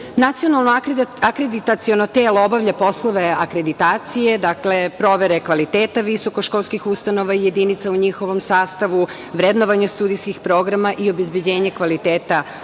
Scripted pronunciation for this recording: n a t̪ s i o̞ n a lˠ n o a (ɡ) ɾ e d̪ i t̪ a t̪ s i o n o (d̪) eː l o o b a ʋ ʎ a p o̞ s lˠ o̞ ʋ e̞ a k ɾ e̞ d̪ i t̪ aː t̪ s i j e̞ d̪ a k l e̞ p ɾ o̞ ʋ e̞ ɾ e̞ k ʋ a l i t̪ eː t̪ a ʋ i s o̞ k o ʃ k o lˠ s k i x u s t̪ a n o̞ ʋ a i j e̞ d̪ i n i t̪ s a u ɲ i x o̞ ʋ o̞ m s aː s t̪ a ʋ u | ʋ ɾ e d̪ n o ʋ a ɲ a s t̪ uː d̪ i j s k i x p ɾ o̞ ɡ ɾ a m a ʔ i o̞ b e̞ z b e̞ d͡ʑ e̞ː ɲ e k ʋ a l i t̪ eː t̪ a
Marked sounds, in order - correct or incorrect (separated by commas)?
incorrect, incorrect